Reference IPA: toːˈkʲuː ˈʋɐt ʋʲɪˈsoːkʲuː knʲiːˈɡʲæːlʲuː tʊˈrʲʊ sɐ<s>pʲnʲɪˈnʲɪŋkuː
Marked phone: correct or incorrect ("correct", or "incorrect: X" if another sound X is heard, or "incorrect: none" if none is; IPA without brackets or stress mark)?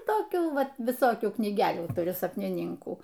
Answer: incorrect: none